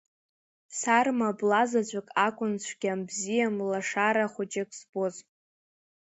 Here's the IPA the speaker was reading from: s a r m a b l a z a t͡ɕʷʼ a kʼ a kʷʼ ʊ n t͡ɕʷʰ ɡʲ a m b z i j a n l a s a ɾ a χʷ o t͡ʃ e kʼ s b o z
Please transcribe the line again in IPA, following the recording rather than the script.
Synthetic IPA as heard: s a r m a b l a z a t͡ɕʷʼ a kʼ a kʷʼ ʊ n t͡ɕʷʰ ɡʲ a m b z i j a m l a ʂ a ɾ a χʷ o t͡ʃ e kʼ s b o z